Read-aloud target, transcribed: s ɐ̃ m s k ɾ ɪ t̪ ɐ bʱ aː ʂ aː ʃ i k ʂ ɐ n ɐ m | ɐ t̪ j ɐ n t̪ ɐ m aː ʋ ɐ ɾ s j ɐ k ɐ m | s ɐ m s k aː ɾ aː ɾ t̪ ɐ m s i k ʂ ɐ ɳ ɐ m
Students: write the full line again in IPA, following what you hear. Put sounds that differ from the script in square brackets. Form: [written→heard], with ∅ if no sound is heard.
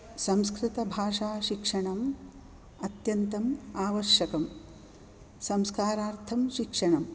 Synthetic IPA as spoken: s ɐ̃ m s k ɾ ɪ t̪ ɐ bʱ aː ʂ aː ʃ i k ʂ ɐ [n→ɳ] ɐ m | ɐ t̪ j ɐ n t̪ ɐ m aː ʋ ɐ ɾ [s→ʃ] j ɐ k ɐ m | s ɐ m s k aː ɾ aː ɾ [t̪→t̪ʰ] ɐ m [s→ʃ] i k ʂ ɐ ɳ ɐ m